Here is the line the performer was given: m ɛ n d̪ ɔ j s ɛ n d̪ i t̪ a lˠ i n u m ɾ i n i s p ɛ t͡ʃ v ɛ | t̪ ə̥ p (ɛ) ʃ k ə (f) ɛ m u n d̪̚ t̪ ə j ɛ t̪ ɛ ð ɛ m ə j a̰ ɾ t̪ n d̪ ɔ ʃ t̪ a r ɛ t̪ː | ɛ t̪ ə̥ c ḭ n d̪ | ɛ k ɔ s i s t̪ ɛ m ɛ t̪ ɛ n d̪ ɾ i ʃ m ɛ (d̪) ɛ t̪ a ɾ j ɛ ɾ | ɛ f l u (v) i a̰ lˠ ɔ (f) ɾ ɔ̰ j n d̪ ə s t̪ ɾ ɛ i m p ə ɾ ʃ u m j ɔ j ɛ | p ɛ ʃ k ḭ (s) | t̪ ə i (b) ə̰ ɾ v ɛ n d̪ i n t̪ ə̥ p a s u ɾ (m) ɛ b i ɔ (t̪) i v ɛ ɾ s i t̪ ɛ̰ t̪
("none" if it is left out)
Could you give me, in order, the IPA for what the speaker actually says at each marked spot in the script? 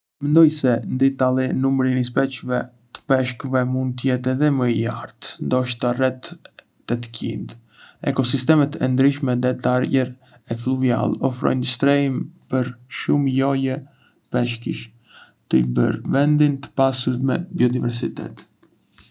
ɛ, v, d̪, v, f, ʃ, b, m, d̪

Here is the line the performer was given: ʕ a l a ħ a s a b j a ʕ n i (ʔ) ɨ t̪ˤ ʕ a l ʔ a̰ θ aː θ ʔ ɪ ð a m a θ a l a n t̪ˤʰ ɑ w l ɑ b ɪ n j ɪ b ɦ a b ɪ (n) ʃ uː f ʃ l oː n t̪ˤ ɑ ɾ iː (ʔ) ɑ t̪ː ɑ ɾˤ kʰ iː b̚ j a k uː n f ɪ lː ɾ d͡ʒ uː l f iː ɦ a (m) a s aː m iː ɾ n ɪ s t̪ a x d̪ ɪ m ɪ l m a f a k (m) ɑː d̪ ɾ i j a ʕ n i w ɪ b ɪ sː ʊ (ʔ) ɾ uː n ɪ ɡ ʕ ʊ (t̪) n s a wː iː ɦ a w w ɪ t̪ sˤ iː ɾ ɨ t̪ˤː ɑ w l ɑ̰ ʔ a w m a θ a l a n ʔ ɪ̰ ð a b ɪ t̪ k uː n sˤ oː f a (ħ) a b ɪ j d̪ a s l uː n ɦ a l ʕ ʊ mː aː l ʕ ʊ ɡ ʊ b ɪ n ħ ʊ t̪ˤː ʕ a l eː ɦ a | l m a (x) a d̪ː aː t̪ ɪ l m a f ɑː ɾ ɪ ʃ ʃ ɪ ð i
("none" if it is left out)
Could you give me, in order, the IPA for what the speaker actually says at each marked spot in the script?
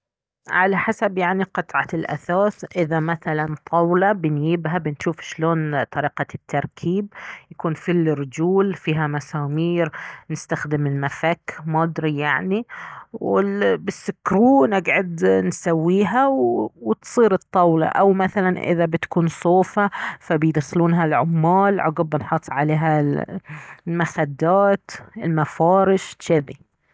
q, n, q, m, m, k, d̪, f, x

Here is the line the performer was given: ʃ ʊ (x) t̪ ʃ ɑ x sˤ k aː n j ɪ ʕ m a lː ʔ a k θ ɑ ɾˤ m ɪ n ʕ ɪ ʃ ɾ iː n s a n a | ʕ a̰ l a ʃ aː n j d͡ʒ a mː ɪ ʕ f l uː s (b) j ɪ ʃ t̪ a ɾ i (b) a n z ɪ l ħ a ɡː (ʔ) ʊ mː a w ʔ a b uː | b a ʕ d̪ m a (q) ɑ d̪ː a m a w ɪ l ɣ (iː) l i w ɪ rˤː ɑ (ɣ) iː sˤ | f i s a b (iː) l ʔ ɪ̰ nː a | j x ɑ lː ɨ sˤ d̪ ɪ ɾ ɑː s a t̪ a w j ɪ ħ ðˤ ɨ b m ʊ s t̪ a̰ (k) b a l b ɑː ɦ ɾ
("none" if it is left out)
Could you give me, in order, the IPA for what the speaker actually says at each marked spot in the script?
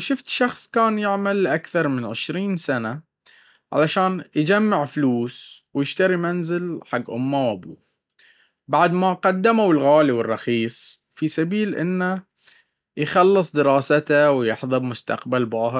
f, w, m, ʔ, q, aː, x, iː, q

